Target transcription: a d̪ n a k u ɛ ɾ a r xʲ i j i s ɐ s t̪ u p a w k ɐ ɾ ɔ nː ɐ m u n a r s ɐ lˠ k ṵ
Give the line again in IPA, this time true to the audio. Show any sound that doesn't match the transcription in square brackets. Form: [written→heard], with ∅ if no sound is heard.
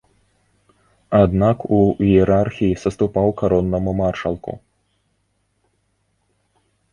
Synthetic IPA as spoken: a d̪ n a k u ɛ ɾ a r xʲ i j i s ɐ s t̪ u p a w k [ɐ→a] ɾ ɔ nː ɐ m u [n→m] a r [s→ʂ] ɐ lˠ k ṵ